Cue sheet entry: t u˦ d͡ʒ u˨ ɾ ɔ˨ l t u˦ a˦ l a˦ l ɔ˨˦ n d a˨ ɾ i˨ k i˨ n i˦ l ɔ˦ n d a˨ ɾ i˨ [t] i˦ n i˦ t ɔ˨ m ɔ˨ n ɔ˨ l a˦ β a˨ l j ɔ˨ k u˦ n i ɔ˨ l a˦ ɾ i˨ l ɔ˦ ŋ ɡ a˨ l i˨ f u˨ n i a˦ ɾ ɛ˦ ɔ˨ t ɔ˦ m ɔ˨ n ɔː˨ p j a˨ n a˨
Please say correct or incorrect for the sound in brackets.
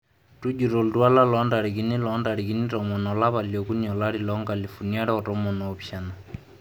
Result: incorrect